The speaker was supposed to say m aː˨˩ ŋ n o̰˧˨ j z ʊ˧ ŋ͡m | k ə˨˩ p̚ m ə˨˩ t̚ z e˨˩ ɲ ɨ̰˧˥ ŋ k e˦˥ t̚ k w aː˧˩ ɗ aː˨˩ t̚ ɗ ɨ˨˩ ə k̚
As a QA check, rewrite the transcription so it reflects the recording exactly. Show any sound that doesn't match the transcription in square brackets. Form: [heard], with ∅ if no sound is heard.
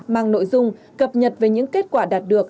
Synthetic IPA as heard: m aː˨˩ ŋ n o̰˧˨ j z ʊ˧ ŋ͡m | k ə˨˩ p̚ [ɲ] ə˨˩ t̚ [v] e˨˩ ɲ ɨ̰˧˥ ŋ k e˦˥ t̚ k w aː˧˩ ɗ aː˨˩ t̚ ɗ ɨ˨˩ ə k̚